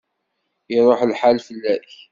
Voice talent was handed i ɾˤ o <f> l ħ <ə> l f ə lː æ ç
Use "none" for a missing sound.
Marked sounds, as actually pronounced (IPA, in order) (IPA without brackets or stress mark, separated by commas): ħ, a